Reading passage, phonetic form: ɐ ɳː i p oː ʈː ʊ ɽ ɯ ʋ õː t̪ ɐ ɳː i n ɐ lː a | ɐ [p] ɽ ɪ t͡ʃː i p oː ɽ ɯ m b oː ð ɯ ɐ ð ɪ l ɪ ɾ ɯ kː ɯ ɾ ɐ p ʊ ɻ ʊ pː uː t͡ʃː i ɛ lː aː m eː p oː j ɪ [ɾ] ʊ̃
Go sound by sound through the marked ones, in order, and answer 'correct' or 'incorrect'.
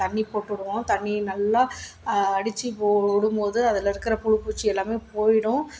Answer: incorrect, incorrect

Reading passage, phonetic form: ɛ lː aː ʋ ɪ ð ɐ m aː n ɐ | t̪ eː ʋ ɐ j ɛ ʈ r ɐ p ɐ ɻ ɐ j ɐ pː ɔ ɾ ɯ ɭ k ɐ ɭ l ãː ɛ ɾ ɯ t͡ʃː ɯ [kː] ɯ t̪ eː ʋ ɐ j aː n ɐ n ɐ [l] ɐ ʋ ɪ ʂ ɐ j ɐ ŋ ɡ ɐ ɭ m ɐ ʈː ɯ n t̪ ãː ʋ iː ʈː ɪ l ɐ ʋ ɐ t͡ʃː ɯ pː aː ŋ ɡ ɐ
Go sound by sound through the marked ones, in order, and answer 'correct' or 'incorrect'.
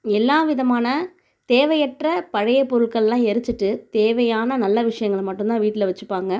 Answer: incorrect, incorrect

